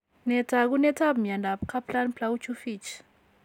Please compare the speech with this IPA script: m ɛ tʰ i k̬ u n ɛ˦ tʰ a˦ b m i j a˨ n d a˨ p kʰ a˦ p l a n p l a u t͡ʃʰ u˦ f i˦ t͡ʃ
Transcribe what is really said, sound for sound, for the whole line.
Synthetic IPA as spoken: n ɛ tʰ a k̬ u n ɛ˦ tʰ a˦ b m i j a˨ n d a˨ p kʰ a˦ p l a n p l a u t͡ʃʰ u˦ f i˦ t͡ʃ